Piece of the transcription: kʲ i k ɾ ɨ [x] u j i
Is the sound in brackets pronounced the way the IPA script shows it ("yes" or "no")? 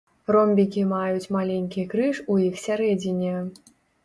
no